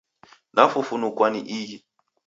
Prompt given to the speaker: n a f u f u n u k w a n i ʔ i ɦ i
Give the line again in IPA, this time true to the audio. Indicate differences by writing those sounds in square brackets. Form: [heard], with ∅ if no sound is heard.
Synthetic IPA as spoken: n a f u f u n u k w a n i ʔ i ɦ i